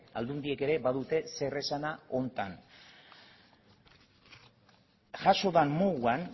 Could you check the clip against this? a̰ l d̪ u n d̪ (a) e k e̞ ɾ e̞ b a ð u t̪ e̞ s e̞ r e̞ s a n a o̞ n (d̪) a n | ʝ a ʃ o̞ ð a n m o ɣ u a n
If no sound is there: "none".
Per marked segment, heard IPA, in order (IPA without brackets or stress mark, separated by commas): i, t̪